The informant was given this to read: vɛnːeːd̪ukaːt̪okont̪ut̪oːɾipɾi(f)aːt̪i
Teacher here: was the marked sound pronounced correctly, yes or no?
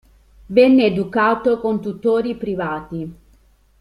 no